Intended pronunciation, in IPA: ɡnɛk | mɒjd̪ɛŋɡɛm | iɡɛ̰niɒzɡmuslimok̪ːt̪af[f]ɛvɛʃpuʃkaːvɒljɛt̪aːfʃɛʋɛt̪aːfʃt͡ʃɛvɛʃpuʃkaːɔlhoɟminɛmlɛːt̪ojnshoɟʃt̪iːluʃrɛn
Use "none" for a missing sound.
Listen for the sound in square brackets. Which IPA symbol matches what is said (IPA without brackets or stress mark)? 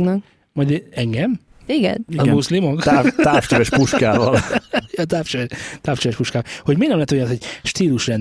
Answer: ʃ